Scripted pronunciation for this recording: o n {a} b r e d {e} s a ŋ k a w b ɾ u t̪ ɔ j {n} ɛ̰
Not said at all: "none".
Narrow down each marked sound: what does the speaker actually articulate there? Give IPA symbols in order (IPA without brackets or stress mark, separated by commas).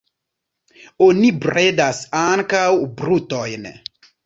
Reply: i, a, n